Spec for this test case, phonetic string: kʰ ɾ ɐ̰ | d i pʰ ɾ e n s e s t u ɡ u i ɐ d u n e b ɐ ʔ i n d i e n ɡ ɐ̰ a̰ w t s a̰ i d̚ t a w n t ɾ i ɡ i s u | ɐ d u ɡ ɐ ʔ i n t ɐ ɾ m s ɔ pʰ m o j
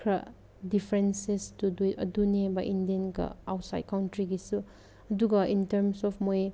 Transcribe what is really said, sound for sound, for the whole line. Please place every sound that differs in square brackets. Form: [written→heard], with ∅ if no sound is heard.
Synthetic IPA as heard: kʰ ɾ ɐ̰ | d i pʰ ɾ e n s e s t u [ɡ→d] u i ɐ d u n e b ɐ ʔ i n d i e n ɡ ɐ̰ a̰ w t s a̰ [i→j] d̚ [t→k] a w n t ɾ i ɡ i s u | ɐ d u ɡ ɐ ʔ i n t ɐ ɾ m s ɔ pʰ m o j